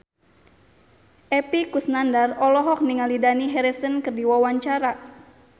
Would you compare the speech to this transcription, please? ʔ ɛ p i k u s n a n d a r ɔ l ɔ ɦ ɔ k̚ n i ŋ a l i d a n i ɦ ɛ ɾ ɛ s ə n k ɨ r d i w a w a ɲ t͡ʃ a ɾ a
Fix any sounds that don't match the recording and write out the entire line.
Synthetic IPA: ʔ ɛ p i k u s n a n d a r ɔ l ɔ ɦ ɔ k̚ n i ŋ a l i d a n i ɦ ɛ ɾ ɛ s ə n k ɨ r d i w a w a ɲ t͡ʃ a ɾ a